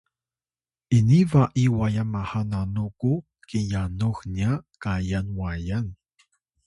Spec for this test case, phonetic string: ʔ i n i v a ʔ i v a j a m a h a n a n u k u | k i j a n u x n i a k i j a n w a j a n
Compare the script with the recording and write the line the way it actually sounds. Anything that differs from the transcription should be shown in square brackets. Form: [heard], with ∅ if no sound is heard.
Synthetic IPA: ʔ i n i v a ʔ i [w] a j a m a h a n a n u k u | k i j a n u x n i a k [a] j a n w a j a n